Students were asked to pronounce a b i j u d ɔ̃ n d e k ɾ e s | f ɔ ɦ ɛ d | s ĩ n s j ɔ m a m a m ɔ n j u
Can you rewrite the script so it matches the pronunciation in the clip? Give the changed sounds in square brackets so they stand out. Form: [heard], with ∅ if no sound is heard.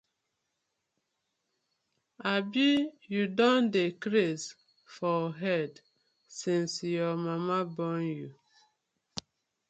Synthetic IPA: a b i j u d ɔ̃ n d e k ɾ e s | f ɔ ɦ ɛ d | s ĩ n s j ɔ m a m a [b] ɔ n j u